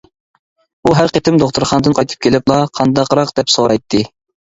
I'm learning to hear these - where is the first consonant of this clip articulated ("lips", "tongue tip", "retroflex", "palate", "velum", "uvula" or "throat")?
throat